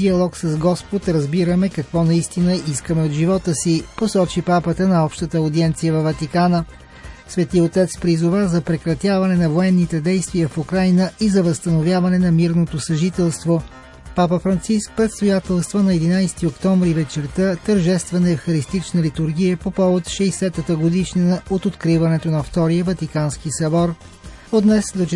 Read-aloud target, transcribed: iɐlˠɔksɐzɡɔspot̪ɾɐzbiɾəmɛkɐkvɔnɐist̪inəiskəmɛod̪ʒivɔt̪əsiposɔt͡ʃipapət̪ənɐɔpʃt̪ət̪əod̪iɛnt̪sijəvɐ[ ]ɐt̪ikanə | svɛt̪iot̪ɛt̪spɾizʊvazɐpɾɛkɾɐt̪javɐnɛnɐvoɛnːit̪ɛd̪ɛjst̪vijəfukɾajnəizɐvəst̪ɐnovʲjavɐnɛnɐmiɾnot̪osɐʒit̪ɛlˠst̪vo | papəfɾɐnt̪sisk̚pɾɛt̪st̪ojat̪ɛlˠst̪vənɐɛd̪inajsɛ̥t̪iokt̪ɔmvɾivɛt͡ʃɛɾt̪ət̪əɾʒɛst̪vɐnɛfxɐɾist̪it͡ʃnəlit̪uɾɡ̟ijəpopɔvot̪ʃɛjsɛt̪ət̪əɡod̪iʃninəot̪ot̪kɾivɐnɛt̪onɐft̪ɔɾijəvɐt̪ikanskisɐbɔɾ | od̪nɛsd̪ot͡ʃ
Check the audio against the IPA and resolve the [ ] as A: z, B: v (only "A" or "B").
B